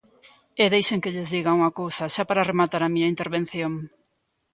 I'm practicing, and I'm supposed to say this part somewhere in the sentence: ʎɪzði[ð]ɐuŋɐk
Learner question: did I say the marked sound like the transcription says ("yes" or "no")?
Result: no